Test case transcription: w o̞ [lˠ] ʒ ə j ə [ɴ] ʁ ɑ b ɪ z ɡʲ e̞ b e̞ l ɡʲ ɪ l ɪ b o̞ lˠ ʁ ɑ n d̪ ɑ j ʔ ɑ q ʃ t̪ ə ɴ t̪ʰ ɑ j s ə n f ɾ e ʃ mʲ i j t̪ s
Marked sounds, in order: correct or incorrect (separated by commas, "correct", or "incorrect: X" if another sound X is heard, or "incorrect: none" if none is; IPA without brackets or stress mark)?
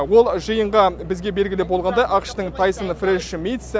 correct, correct